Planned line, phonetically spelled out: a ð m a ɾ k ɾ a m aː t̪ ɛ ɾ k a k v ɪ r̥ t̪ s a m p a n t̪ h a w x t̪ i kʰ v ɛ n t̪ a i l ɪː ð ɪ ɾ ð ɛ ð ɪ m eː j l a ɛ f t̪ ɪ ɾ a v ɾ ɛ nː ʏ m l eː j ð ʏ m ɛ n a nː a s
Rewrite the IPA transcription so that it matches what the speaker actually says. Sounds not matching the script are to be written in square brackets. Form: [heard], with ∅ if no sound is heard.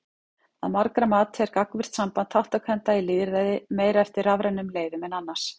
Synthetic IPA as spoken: a ð m a ɾ k ɾ a m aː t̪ ɛ ɾ k a k v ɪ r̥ t̪ s a m p a n t̪ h a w [h] t̪ [a] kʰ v ɛ n t̪ a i l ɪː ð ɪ ɾ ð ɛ ð ɪ m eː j [ɾ] a ɛ f t̪ ɪ ɾ a v ɾ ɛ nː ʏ m l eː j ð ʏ m ɛ n a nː a s